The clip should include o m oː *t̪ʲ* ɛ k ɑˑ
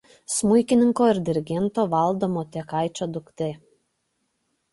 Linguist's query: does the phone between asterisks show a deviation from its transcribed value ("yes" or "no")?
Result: no